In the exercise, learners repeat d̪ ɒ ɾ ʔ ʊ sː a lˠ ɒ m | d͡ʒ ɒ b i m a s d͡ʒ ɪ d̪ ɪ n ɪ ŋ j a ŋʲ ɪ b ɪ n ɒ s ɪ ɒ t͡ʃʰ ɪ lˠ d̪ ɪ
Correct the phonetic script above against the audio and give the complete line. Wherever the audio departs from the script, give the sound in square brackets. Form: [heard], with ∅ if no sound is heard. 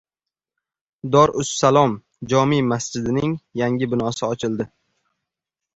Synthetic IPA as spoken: d̪ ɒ ɾ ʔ ʊ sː a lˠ ɒ m | d͡ʒ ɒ [m] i m a s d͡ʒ ɪ d̪ ɪ n ɪ ŋ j a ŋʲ ɪ b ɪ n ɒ s ɪ ɒ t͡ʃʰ ɪ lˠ d̪ ɪ